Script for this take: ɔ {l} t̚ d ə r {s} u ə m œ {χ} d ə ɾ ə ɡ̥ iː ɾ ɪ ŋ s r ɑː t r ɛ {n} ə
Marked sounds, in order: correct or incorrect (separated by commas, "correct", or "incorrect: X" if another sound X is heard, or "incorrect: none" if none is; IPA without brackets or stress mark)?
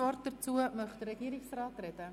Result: incorrect: r, incorrect: t͡s, correct, incorrect: d